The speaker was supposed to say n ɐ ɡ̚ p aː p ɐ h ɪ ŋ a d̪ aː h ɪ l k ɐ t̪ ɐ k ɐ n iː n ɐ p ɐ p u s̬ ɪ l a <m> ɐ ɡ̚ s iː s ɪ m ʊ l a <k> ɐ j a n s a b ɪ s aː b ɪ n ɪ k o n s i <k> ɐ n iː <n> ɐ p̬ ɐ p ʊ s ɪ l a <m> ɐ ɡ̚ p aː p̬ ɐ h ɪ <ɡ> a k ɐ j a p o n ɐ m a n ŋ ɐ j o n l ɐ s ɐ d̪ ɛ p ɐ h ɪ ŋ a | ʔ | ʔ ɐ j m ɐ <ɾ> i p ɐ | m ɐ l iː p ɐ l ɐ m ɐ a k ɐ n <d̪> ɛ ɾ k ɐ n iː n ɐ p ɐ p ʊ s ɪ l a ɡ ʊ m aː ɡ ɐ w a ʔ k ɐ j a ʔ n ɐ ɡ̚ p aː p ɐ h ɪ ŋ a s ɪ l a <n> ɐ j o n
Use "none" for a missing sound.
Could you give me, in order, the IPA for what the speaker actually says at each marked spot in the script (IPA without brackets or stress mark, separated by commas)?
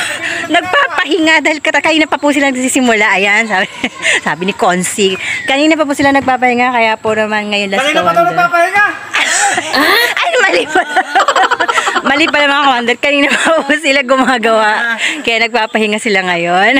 n, ʔ, k, n, n, ŋ, l, d̪, ŋ